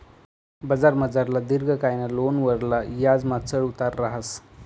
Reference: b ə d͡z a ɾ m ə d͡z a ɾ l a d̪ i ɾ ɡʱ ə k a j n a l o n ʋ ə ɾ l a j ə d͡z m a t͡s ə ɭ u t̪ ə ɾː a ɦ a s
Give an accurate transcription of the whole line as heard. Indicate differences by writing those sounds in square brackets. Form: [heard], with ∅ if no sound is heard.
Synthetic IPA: b ə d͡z a ɾ m ə d͡z a ɾ l a d̪ i ɾ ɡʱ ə k a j n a l o n ʋ ə ɾ l a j [a] d͡z m a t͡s ə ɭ u t̪ [a] ɾː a ɦ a s